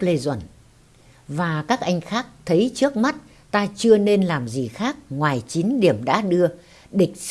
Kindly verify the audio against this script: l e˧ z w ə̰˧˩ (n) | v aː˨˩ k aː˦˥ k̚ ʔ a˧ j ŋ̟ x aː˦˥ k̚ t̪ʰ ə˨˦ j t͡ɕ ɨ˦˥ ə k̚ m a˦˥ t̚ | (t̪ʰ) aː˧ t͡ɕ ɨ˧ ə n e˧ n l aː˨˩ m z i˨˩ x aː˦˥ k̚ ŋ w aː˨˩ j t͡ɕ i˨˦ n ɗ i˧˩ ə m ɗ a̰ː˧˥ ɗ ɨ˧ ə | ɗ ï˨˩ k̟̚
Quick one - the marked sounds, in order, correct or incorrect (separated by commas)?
correct, incorrect